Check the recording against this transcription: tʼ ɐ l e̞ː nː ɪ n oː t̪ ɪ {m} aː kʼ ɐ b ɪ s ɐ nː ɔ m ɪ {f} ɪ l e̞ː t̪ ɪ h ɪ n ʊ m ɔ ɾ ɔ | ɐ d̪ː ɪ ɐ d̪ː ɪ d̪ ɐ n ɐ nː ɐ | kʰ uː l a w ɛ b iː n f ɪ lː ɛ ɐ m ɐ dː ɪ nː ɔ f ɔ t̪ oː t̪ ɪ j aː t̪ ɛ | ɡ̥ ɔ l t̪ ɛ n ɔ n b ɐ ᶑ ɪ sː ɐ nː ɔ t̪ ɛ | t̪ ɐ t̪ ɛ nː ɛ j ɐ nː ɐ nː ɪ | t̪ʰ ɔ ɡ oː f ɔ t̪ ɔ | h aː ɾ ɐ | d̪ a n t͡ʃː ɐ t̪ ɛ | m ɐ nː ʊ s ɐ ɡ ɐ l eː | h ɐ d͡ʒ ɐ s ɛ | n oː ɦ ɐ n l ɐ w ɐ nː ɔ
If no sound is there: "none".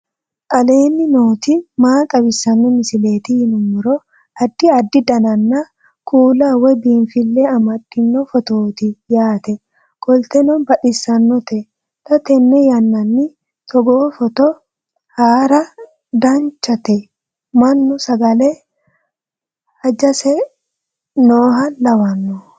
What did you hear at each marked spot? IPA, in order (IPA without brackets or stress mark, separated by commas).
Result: m, s